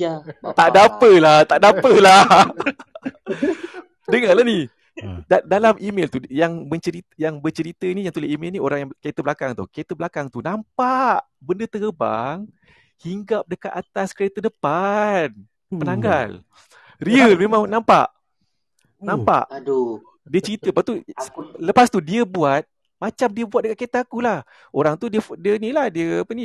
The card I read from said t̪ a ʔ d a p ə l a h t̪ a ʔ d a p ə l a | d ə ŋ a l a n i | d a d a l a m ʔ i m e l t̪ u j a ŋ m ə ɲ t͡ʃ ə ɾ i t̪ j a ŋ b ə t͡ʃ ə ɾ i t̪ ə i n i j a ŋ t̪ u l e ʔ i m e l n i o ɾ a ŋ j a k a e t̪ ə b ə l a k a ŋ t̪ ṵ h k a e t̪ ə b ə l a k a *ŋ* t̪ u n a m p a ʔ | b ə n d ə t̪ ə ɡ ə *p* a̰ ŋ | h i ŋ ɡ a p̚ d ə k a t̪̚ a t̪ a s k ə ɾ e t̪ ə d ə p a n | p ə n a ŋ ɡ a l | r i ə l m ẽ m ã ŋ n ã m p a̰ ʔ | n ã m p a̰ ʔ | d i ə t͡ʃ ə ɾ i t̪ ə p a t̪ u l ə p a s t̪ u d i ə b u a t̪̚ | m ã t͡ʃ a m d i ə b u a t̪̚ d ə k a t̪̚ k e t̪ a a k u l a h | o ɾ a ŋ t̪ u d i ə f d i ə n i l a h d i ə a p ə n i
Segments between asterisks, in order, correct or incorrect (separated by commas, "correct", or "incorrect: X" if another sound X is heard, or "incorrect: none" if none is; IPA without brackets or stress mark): correct, incorrect: b